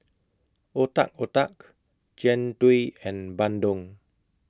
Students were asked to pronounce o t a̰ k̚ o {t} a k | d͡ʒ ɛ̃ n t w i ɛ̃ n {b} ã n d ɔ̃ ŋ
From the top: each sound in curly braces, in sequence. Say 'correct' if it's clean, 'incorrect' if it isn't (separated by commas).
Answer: correct, correct